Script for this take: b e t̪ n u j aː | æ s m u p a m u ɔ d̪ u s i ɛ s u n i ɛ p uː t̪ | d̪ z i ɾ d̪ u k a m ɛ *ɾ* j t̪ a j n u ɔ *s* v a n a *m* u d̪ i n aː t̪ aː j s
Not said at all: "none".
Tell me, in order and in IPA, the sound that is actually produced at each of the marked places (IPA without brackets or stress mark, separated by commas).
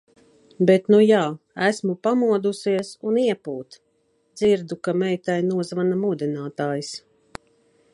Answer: none, z, m